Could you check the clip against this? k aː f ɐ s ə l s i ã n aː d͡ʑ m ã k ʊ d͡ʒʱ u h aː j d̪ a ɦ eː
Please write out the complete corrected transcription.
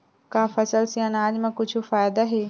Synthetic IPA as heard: k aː f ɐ s ə l s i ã n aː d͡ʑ m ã k ʊ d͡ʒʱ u f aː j d̪ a ɦ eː